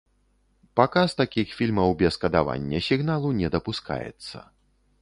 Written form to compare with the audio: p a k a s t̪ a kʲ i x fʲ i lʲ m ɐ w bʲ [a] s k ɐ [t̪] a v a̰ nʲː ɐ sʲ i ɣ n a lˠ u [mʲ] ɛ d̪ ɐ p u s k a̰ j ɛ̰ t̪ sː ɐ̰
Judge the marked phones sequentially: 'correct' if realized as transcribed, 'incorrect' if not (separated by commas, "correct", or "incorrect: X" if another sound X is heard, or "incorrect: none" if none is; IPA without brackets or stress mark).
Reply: incorrect: ɛ, incorrect: d̪, incorrect: nʲ